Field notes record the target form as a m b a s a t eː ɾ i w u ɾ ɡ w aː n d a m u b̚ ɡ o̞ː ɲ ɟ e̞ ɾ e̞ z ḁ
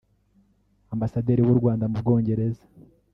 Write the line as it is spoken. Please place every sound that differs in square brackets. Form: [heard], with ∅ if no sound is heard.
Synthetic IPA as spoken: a m b a s a [d] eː ɾ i w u ɾ ɡ w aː n d a m u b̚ ɡ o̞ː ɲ ɟ e̞ ɾ e̞ z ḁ